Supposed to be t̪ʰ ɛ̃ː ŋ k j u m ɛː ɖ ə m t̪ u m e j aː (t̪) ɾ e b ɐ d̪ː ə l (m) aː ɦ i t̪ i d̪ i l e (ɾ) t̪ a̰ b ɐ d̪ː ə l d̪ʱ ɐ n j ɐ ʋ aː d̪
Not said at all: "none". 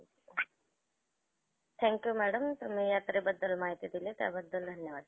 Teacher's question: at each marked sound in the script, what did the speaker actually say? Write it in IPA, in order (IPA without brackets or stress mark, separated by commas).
t̪, m, none